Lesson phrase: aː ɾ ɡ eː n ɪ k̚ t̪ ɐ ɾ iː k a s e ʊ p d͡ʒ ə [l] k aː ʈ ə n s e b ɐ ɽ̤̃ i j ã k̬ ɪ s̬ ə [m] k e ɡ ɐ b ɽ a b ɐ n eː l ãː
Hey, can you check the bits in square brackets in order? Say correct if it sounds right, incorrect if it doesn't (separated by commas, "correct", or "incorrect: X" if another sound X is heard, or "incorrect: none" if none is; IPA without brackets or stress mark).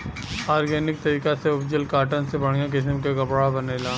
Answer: correct, correct